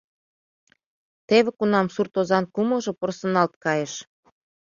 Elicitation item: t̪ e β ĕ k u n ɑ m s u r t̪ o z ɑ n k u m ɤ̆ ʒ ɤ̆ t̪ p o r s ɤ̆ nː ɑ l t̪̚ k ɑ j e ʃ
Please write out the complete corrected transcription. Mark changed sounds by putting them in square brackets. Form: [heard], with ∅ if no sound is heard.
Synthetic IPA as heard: t̪ e β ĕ k u n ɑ m s u r t̪ o z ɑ n k u m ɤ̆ ʒ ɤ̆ [∅] p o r s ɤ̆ [n] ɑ l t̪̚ k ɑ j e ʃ